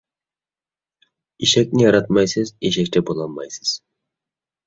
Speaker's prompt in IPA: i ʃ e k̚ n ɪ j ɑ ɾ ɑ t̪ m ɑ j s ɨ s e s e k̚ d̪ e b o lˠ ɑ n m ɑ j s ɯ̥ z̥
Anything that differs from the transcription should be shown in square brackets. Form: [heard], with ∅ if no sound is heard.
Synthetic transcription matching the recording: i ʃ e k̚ n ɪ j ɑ ɾ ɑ t̪ m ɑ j s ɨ [z] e [ʃ] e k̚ [t̪] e b o lˠ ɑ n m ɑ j s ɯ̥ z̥